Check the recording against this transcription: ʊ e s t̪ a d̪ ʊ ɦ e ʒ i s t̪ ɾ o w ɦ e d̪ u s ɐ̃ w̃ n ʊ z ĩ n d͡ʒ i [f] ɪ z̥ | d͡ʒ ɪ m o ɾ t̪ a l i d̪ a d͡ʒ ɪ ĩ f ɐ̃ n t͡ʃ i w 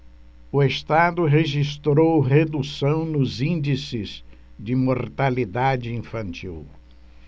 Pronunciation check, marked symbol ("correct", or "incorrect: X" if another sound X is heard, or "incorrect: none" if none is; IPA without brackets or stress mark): incorrect: s